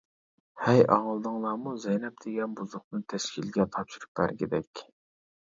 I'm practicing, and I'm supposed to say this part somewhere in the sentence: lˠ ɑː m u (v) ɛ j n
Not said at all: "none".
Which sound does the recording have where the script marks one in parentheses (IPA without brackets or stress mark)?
z